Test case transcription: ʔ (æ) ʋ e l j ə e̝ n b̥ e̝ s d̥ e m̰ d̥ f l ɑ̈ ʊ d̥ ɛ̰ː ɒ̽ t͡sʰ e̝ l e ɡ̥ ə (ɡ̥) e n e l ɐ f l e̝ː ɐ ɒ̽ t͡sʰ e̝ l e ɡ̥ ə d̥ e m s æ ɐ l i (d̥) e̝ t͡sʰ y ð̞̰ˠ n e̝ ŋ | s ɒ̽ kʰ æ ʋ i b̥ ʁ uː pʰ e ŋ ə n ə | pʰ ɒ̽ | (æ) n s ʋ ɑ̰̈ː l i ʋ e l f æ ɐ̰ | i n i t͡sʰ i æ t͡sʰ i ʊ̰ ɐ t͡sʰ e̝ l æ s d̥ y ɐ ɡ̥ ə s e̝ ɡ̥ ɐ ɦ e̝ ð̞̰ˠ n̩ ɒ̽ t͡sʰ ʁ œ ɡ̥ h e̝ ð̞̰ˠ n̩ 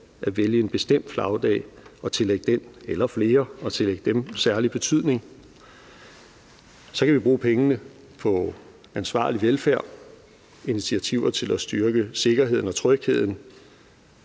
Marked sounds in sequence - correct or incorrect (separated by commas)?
correct, incorrect, incorrect, correct